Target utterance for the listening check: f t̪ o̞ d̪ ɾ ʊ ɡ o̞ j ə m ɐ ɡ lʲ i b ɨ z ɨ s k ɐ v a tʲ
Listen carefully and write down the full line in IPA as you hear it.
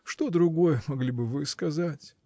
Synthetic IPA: ʂ t̪ o̞ d̪ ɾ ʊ ɡ o̞ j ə m ɐ ɡ lʲ i b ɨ v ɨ s k ɐ z a tʲ